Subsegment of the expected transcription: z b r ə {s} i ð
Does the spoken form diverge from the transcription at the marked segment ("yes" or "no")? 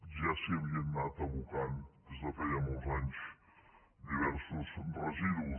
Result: yes